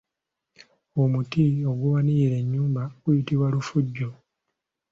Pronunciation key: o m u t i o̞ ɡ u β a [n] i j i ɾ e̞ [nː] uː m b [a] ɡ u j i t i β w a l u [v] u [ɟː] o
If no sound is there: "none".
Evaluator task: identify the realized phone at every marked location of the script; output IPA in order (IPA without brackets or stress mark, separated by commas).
n, ɲː, a, f, ɟː